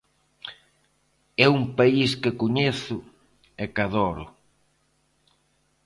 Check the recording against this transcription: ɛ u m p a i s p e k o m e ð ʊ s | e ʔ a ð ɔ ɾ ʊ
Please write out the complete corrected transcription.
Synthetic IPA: ɛ u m p a i s k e k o ɲ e θ ʊ | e k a ð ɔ ɾ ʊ